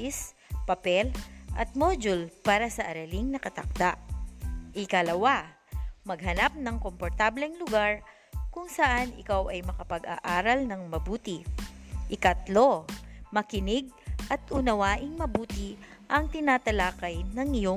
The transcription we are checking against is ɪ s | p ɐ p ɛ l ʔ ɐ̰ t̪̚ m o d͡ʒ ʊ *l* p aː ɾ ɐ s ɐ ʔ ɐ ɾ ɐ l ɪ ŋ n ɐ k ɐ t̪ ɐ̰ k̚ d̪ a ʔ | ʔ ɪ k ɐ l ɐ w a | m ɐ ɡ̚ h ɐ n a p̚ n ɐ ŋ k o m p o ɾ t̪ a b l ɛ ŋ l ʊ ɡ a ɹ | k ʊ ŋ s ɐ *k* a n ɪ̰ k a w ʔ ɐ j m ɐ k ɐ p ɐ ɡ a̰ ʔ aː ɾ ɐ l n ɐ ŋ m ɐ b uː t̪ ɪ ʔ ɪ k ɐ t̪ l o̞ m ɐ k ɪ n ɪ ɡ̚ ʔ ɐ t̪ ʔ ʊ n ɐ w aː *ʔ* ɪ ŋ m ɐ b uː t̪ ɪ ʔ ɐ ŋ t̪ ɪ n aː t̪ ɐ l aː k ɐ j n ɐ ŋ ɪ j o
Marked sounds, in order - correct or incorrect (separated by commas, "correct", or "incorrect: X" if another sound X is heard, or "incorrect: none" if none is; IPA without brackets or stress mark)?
correct, incorrect: ʔ, correct